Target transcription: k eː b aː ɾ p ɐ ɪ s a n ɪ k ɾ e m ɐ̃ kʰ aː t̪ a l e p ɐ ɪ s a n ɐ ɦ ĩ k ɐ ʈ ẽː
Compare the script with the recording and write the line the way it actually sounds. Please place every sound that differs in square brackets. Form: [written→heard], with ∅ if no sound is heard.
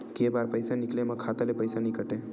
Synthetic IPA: k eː b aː ɾ p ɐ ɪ s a n ɪ k [ɾ→l] e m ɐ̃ kʰ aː t̪ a l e p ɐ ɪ s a n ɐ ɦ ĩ k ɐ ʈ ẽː